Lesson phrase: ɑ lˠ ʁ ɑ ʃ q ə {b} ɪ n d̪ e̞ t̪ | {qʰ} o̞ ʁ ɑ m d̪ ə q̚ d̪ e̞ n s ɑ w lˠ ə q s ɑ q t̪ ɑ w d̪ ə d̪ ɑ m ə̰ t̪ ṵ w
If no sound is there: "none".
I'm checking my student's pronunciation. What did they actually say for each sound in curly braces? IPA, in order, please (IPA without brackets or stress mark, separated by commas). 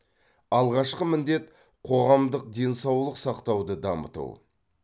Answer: m, qʰ